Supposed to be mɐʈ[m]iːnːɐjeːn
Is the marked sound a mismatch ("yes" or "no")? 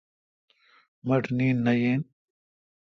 yes